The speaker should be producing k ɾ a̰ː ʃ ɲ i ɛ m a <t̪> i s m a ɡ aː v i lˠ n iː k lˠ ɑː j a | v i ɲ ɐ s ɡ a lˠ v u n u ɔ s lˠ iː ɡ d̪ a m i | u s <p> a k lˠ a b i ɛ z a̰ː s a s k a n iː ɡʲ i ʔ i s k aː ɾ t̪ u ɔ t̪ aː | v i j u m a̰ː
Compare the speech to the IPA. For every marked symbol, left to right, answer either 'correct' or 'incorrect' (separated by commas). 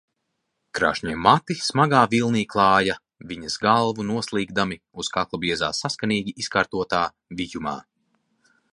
correct, incorrect